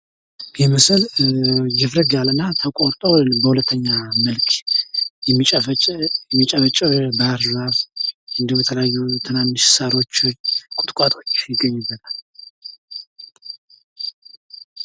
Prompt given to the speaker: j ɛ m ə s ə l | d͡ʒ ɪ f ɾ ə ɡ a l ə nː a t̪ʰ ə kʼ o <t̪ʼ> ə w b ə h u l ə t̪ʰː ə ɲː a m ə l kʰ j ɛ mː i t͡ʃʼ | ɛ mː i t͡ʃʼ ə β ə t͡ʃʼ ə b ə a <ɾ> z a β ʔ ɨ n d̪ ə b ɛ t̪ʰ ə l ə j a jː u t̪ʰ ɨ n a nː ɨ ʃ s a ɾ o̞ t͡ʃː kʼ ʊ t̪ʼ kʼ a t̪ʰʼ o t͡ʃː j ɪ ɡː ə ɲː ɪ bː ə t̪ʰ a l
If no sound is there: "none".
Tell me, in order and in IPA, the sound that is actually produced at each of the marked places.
t̪ʼ, ɾ

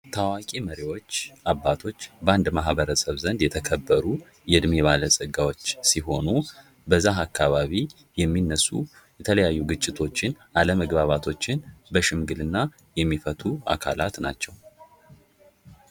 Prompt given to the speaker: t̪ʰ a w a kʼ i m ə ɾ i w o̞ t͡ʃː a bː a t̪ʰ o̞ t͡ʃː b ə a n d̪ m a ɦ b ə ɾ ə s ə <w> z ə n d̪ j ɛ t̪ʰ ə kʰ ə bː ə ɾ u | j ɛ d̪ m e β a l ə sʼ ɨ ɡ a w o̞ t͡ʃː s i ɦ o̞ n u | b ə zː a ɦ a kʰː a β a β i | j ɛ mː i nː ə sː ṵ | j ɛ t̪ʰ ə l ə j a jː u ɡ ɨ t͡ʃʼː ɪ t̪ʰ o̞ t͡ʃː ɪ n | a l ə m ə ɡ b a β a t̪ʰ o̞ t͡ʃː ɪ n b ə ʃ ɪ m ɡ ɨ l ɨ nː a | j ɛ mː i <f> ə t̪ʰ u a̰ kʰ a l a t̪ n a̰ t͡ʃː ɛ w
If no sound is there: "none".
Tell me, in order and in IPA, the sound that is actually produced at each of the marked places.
β, f

